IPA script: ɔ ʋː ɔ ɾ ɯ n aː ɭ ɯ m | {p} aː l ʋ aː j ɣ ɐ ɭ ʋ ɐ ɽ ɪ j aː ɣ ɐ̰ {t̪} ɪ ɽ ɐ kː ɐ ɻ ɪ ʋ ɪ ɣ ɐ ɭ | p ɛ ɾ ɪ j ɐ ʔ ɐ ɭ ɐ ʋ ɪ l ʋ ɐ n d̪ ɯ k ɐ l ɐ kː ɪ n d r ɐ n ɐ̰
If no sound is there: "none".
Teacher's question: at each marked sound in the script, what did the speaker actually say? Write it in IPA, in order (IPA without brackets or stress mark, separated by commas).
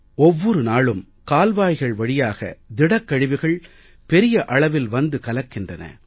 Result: k, d̪